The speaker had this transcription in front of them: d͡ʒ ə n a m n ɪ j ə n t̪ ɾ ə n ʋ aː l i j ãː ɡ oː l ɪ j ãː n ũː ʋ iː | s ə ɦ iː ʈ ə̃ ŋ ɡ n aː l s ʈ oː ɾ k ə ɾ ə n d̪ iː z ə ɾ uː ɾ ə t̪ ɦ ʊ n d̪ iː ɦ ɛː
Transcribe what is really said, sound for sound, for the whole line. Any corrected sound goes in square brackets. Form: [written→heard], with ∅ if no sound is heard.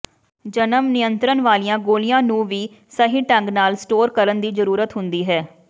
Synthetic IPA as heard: d͡ʒ ə n [a→ə] m n ɪ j ə n t̪ ɾ ə n ʋ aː l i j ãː ɡ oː l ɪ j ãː n ũː ʋ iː | s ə ɦ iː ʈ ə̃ ŋ ɡ n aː l s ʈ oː ɾ k ə ɾ ə n d̪ iː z ə ɾ uː ɾ ə t̪ ɦ ʊ n d̪ iː ɦ ɛː